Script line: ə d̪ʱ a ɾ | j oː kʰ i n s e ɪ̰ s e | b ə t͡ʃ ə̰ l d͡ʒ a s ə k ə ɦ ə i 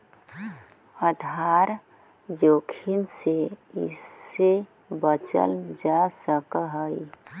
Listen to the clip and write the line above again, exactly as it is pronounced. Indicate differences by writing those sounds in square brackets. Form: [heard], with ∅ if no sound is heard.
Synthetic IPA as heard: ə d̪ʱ a ɾ | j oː kʰ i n s e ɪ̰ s e | b ə t͡ʃ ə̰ l d͡ʒ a s ə k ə ɦ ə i